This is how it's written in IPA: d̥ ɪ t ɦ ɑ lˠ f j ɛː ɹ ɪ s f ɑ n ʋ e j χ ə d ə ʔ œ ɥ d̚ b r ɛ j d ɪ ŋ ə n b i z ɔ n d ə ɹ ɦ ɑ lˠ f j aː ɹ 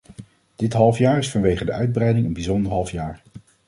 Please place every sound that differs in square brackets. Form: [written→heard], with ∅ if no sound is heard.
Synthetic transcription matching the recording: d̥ ɪ t ɦ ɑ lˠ f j [ɛː→aː] ɹ ɪ s f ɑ n ʋ e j χ ə d ə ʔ œ ɥ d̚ b r ɛ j d ɪ ŋ ə n b i z ɔ n d ə ɹ ɦ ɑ lˠ f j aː ɹ